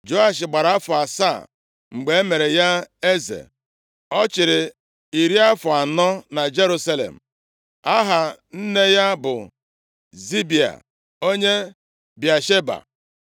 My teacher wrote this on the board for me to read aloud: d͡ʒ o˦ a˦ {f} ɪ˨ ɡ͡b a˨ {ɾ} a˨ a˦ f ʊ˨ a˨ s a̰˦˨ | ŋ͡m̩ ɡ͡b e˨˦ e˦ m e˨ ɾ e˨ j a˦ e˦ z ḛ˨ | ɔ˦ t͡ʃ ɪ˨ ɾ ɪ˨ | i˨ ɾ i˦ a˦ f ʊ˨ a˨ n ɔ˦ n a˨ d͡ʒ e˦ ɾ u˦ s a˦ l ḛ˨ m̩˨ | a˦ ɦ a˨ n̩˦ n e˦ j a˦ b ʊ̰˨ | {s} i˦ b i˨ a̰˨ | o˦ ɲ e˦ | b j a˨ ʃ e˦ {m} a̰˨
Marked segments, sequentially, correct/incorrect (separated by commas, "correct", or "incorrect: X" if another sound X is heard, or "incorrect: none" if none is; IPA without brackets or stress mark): incorrect: ʃ, correct, incorrect: z, incorrect: b